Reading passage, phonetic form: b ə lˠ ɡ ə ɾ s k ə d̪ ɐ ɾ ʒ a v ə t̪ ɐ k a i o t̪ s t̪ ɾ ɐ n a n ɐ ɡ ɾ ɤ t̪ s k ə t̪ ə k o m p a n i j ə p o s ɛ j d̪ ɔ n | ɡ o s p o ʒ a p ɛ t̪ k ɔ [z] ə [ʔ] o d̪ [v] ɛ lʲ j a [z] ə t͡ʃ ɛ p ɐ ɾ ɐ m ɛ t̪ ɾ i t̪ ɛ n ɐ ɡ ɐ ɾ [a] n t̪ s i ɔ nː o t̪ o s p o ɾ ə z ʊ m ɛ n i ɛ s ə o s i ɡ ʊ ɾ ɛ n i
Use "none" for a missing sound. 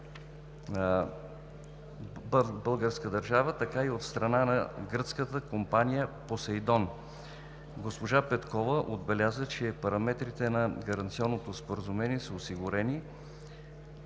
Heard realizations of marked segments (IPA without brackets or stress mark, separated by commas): v, ʔ, b, z, ɐ